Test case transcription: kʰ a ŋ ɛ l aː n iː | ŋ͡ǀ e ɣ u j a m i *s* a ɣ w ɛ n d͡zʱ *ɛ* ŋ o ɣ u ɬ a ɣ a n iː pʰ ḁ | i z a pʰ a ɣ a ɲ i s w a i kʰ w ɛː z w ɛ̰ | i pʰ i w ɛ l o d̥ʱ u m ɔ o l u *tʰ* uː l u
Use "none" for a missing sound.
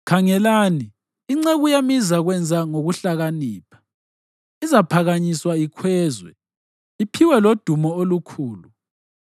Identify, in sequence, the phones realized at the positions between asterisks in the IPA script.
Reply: z, a, kʰ

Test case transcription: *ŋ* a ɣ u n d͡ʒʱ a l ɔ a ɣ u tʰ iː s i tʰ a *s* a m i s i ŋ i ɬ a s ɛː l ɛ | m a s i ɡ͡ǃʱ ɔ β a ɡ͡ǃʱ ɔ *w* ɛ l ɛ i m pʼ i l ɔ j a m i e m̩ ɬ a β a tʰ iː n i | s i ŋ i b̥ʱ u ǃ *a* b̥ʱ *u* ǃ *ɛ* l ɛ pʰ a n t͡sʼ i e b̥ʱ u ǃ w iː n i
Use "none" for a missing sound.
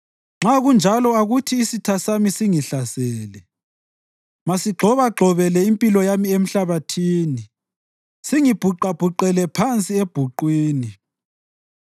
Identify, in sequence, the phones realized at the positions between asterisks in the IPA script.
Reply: ŋ͡ǁ, s, β, a, u, ɛ

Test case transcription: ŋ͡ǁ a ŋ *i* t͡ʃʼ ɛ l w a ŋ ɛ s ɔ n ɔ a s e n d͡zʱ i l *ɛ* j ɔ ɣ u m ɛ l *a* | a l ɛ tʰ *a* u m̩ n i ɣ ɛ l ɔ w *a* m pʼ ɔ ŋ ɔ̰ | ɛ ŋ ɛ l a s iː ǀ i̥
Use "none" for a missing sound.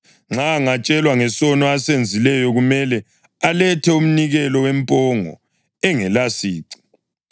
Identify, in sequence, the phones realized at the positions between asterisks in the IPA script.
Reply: a, ɛ, ɛ, ɛ, ɛ

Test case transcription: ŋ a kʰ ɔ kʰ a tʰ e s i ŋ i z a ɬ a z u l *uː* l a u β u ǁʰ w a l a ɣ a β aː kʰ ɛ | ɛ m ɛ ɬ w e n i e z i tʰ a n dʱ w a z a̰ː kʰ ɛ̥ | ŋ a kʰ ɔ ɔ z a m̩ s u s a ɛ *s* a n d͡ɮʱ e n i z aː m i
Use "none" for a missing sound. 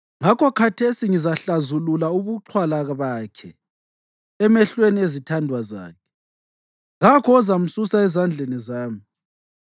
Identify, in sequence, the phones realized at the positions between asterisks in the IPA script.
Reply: u, z

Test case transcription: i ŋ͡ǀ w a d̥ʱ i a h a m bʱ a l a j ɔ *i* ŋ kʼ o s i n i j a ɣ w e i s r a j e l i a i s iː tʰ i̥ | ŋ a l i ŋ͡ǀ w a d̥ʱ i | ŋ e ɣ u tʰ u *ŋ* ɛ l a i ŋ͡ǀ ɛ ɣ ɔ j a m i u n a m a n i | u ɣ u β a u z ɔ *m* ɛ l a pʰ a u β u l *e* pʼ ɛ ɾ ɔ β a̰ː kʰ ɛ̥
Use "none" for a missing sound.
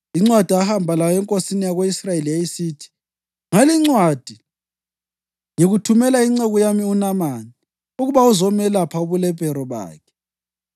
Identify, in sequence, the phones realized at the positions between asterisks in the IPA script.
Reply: ɛ, m, m, ɛ

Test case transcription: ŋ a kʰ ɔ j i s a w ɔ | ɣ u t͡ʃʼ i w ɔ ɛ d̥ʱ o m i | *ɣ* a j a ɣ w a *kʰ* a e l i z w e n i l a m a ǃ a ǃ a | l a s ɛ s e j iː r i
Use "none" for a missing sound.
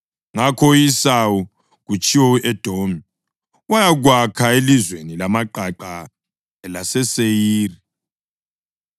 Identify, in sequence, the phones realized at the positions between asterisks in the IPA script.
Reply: w, kʰ

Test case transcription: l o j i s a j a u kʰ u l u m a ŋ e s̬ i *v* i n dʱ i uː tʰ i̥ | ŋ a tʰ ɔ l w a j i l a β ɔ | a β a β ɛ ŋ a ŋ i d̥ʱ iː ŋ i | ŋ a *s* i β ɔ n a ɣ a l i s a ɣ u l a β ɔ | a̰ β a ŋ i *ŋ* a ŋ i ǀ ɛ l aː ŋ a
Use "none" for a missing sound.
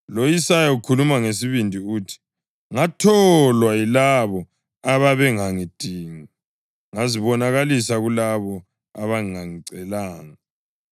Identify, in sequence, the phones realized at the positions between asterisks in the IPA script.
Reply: β, z, ŋ

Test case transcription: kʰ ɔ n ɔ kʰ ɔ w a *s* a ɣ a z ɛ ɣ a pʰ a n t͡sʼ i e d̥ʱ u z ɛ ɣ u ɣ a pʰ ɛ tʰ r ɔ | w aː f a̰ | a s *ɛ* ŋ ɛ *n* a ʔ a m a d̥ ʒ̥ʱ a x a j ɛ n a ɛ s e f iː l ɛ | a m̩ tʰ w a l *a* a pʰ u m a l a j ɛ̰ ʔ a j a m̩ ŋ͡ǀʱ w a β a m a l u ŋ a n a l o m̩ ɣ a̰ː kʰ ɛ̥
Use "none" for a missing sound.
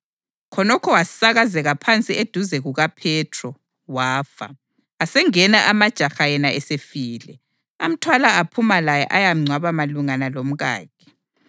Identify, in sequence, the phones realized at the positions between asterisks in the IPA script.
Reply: s, ɛ, n, a

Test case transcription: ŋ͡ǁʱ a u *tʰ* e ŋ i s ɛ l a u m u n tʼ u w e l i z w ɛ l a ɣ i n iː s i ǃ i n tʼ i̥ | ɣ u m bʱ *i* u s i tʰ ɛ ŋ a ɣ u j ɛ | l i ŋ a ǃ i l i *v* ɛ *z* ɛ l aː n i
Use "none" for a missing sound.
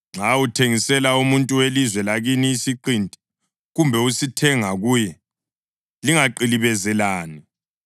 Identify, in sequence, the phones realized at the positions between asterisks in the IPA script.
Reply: tʰ, ɛ, β, z

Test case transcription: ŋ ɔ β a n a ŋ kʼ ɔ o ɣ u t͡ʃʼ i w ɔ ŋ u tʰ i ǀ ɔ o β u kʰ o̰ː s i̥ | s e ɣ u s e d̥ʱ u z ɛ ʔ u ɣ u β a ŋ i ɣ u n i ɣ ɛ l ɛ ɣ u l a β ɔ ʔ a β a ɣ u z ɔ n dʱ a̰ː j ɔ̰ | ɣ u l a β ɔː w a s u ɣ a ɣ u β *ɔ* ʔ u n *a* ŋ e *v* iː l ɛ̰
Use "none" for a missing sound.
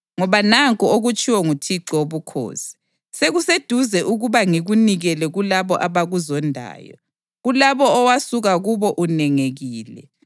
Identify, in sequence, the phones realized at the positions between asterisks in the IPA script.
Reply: ɔ, ɛ, ɣ

